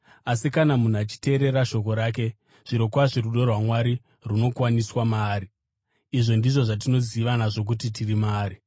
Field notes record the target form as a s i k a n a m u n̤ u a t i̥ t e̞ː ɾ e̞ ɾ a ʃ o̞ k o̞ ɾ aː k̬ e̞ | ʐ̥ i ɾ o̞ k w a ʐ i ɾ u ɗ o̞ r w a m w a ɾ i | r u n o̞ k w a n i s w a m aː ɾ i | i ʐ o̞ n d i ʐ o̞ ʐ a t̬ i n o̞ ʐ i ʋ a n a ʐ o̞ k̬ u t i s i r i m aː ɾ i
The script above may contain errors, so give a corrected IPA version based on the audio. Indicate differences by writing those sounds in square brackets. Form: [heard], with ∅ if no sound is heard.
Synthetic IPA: a s i k a n a m u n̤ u a [t͡ʃ] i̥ t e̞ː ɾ e̞ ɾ a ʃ o̞ k o̞ ɾ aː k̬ e̞ | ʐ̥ i ɾ o̞ k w a ʐ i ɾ u ɗ o̞ r w a m w a ɾ i | r u n o̞ k w a n i s w a m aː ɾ i | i ʐ o̞ n d i ʐ o̞ ʐ a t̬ i n o̞ [z] i ʋ a n a ʐ o̞ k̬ u t i [t] i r i m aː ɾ i